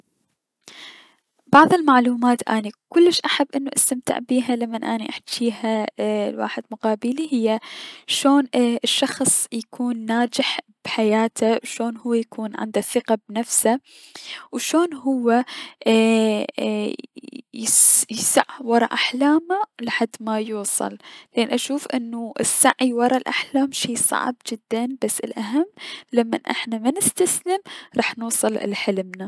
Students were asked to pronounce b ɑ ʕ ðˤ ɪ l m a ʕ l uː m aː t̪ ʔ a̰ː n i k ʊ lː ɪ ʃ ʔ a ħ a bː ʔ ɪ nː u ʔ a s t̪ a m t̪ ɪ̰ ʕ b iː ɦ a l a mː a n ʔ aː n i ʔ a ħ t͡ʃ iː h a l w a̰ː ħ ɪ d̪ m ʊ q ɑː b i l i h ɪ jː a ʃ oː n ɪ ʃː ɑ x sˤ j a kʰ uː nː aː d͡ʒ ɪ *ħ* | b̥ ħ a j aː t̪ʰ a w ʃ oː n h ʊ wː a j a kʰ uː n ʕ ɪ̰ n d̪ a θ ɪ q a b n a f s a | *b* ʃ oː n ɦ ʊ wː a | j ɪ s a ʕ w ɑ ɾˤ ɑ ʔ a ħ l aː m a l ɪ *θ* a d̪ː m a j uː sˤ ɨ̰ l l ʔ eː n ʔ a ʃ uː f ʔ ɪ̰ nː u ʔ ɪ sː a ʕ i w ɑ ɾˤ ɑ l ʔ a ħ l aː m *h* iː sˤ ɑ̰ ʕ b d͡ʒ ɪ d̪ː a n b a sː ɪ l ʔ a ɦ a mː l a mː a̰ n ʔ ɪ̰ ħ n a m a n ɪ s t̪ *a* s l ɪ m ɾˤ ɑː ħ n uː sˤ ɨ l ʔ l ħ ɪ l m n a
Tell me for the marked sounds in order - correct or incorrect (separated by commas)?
correct, incorrect, incorrect, incorrect, correct